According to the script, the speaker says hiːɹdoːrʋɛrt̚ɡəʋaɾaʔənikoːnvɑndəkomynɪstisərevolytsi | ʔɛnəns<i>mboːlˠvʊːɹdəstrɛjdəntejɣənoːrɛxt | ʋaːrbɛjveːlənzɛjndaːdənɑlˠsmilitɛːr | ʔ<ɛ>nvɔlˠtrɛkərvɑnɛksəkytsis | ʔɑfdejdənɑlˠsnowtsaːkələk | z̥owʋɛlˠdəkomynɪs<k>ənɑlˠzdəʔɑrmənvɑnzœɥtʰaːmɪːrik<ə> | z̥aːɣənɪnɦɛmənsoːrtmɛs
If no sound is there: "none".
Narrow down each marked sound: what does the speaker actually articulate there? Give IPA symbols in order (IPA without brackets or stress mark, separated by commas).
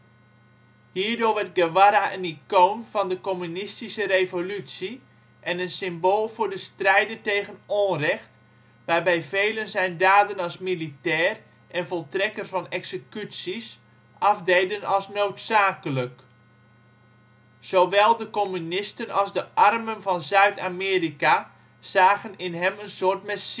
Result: ɪ, ɛ, t, a